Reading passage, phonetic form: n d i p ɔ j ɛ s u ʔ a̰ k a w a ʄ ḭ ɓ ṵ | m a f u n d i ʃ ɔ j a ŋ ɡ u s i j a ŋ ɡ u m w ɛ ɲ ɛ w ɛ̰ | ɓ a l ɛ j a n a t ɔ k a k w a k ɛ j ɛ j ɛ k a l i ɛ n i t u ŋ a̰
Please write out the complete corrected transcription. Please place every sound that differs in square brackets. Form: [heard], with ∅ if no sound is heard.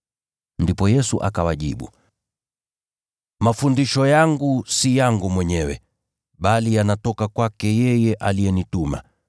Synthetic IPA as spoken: n d i p ɔ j ɛ s u ʔ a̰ k a w a ʄ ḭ ɓ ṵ | m a f u n d i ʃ ɔ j a ŋ ɡ u s i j a ŋ ɡ u m w ɛ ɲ ɛ w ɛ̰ | ɓ a l [i] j a n a t ɔ k a k w a k ɛ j ɛ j ɛ [ʔ] a l i ɛ n i t u [m] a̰